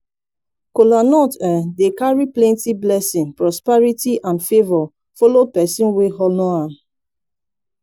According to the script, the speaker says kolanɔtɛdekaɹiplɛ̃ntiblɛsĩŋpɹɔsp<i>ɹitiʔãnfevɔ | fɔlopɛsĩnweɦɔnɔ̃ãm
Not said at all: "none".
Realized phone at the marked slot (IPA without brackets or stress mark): ɛ